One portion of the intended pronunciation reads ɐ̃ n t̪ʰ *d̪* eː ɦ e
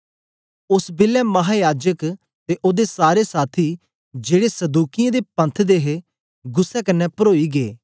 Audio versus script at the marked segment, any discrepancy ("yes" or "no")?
no